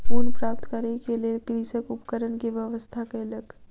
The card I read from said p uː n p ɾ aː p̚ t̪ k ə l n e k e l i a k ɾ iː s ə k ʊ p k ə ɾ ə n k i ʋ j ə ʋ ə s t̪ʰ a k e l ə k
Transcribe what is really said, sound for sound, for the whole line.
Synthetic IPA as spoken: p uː n p ɾ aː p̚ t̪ k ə ɾ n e k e l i e k ɾ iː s ə k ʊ p k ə ɾ ə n k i ʋ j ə ʋ ə s t̪ʰ a k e l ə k